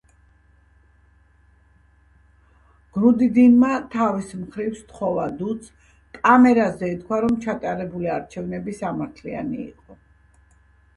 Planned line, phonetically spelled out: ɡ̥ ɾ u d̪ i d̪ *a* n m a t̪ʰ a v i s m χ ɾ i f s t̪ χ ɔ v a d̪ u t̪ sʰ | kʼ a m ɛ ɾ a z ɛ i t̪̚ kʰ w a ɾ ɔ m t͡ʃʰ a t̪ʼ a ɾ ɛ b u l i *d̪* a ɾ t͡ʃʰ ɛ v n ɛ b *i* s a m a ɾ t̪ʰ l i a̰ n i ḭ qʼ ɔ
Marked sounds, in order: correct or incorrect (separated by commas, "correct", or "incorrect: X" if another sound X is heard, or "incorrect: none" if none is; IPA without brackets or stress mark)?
incorrect: i, incorrect: none, correct